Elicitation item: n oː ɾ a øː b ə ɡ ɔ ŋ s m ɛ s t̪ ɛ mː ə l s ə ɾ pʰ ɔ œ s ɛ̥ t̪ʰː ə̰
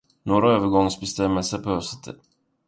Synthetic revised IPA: n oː ɾ a øː v ə ɡ ɔ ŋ s b ɛ s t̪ ɛ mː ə l s ə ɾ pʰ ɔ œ s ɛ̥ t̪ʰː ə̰